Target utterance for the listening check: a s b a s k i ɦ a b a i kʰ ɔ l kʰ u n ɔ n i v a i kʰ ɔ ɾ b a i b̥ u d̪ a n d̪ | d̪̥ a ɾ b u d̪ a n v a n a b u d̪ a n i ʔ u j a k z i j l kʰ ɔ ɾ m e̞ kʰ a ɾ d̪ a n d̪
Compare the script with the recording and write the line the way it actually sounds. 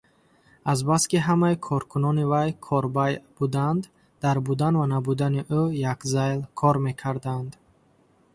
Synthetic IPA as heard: a z b a s k i ɦ a m a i kʰ ɔ ɾ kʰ u n ɔ n i v a j kʰ ɔ ɾ b a j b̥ u d̪ a n d̪ | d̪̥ a ɾ b u d̪ a n v a n a b u d̪ a n i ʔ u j a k z a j l kʰ ɔ ɾ m e̞ kʰ a ɾ d̪ a n d̪